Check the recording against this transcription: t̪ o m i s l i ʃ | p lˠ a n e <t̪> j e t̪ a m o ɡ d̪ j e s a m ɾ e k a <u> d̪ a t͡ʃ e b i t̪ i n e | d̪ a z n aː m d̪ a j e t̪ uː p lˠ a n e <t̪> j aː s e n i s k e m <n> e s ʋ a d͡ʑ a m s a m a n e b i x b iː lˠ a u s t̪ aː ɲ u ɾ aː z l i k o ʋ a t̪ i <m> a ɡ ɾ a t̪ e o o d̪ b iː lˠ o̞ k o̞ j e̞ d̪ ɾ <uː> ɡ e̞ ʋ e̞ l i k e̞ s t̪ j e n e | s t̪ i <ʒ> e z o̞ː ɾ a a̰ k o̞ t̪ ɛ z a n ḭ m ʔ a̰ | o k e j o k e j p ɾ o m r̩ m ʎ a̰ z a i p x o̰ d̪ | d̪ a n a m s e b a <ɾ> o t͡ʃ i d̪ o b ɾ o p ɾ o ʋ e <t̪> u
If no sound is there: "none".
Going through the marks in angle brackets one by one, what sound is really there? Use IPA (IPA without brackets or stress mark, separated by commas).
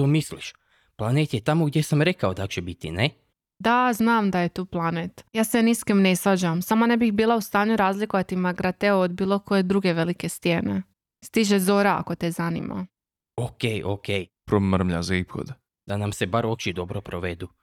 t̪, o, t̪, n, m, u, ʒ, ɾ, d̪